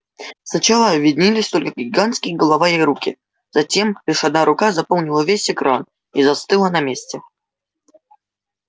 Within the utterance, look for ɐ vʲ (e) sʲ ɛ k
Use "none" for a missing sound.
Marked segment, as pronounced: e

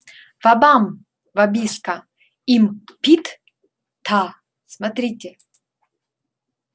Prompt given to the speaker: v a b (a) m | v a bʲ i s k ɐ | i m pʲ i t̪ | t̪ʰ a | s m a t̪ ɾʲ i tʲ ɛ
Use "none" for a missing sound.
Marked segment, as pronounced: a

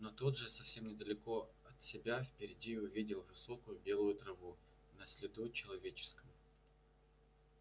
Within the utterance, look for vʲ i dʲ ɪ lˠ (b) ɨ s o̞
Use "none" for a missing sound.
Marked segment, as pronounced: v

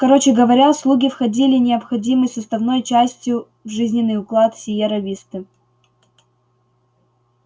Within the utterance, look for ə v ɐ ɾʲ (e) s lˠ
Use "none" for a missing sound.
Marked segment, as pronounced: a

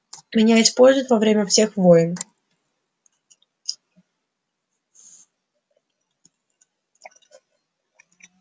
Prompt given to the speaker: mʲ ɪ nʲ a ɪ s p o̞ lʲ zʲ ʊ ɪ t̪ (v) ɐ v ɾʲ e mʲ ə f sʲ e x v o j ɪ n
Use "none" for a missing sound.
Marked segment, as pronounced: v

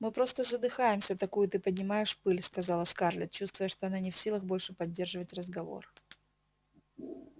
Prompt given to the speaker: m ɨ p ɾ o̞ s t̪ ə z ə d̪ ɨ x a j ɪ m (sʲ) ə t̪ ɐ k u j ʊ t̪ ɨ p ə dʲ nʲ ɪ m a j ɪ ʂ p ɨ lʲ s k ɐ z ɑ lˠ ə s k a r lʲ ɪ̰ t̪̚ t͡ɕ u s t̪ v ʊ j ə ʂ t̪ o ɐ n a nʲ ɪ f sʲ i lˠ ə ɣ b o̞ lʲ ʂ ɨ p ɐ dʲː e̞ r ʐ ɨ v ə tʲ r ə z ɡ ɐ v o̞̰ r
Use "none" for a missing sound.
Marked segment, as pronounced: sʲ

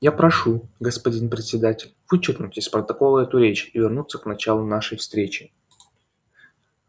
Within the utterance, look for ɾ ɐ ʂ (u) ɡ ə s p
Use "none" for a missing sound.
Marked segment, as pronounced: u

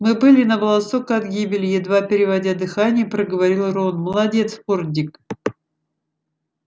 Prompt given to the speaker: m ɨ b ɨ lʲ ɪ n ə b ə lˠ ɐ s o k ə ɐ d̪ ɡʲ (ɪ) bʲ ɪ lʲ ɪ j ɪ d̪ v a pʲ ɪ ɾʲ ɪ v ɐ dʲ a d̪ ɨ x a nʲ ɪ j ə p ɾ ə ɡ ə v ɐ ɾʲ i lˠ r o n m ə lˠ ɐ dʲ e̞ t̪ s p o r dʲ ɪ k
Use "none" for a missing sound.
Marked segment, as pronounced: i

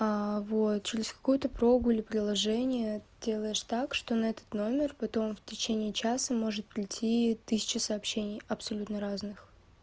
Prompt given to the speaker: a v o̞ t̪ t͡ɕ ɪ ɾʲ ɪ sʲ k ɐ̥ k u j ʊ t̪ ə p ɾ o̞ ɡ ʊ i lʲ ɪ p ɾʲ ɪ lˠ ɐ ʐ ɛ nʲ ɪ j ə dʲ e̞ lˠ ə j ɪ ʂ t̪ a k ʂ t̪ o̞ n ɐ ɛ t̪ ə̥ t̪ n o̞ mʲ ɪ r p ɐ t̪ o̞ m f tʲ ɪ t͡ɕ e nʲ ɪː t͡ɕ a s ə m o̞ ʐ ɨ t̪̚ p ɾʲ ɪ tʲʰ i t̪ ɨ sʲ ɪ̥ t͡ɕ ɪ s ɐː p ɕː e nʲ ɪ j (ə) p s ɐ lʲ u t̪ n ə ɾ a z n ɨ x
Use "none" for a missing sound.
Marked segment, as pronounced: ɐ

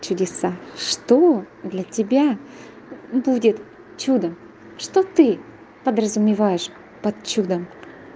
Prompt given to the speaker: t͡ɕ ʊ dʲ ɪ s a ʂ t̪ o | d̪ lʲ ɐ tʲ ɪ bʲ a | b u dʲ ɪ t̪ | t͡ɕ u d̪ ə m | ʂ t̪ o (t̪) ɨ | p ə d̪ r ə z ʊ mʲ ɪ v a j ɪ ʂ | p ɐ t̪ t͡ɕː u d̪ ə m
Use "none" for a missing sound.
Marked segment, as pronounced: t̪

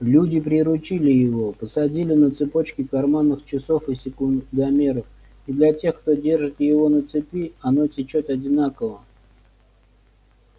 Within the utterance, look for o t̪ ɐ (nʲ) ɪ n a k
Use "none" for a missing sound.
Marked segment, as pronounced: dʲ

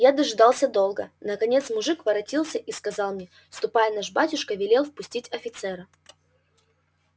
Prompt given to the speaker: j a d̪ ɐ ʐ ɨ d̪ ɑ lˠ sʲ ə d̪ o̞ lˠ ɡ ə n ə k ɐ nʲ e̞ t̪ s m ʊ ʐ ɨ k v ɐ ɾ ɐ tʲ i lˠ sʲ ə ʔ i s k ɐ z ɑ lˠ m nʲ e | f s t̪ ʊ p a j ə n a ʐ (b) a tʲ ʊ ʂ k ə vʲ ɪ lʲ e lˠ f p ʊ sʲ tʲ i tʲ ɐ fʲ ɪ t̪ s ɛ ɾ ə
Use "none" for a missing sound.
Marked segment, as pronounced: b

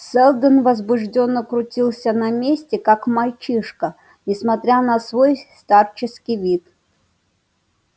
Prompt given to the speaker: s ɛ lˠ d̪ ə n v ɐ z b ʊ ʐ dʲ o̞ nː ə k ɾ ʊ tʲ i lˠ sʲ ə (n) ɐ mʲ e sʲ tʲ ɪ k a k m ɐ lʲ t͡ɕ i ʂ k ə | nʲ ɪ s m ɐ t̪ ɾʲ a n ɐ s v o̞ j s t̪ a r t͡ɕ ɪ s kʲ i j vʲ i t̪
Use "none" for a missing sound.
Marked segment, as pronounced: n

